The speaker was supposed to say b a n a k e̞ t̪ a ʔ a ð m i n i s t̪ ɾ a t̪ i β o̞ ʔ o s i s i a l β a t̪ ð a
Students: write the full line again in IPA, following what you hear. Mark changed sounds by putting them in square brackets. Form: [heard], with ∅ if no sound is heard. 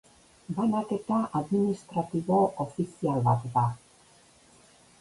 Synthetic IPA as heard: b a n a k e̞ t̪ a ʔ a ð m i n i s t̪ ɾ a t̪ i β o̞ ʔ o [f] i s i a l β a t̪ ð a